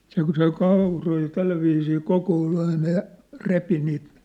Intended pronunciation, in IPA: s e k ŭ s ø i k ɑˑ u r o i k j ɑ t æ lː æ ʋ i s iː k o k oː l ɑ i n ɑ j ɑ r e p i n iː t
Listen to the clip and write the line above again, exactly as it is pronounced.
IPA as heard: s e k ŭ s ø i k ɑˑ u r o i j ɑ t æ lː æ ʋ iː s iː k o k oː l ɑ i n ɑ j ɑ r e p i n iː t